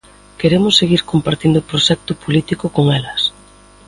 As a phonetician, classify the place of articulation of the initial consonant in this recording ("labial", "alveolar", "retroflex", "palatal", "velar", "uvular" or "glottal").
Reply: velar